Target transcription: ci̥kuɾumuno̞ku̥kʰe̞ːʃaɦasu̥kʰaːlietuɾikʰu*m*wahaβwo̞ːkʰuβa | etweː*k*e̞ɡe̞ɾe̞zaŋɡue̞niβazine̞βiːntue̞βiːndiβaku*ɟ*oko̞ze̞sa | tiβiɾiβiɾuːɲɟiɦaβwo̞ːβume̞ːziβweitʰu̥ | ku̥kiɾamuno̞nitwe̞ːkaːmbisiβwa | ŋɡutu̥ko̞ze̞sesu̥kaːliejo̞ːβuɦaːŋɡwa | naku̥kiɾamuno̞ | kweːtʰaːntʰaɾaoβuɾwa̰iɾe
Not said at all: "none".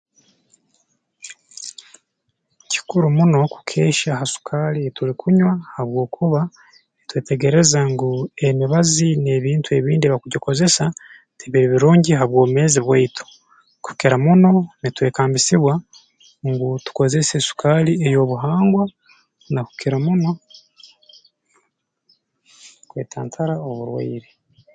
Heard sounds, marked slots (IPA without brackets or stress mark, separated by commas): ɲ, t, ɟ